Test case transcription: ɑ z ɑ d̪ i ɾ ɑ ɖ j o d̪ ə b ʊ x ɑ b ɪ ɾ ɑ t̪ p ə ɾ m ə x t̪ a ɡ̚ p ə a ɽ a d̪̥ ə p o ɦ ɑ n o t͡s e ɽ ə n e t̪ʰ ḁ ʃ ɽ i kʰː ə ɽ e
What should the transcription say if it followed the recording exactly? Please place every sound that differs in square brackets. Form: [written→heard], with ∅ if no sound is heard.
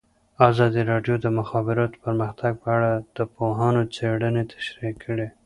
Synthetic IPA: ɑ z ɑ d̪ i ɾ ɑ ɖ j o d̪ ə [b→m] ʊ x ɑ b ɪ ɾ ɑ t̪ p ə ɾ m ə x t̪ a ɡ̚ p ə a ɽ a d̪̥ ə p o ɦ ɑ n o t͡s e ɽ ə n e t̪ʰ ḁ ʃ [ɽ→ɾ] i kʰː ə ɽ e